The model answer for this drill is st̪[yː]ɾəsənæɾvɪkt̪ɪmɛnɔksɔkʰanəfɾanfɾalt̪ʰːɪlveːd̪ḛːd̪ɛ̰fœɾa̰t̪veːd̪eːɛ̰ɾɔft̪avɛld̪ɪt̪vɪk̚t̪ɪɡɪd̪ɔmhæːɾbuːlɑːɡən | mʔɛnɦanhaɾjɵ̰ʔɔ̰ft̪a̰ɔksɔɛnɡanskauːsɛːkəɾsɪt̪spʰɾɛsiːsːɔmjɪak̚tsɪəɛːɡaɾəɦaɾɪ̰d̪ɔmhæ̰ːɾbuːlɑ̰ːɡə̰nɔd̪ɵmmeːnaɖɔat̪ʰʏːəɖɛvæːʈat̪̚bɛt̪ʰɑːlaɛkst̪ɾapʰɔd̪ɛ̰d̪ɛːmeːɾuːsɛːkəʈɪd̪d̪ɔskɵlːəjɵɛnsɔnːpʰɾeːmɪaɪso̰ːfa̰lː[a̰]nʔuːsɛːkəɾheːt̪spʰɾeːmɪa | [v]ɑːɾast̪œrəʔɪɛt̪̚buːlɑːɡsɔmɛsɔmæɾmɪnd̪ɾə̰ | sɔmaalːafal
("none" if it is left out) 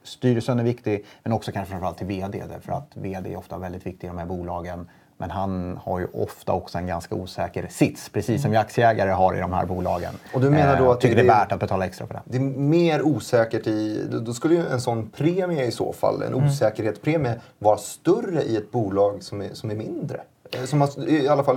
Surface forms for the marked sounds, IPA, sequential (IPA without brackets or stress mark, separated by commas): yː, ɛ̰, v